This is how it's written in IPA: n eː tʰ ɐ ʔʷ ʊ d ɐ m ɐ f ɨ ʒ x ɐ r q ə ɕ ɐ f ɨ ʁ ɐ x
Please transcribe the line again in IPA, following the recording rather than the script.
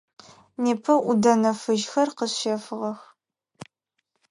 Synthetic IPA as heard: n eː pʰ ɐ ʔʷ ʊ d ɐ n ɐ f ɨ ʒ x ɐ r q ə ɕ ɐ f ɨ ʁ ɐ x